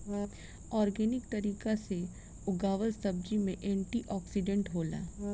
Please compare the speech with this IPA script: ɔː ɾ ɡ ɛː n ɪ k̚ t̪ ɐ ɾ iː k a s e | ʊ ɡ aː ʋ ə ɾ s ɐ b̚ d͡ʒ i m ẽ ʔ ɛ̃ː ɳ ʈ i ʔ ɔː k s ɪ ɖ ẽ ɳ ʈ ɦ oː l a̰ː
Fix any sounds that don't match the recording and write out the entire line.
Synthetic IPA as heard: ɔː ɾ ɡ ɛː n ɪ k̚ t̪ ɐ ɾ iː k a s e | ʊ ɡ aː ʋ ə ɾ s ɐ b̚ d͡ʒ i m ẽ ʔ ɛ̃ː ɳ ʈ i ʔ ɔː k s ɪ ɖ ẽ ɳ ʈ ɦ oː l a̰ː